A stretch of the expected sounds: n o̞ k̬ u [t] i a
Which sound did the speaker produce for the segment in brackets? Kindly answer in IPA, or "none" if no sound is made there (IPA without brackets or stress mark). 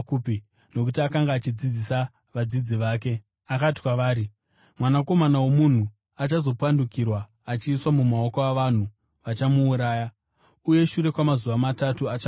t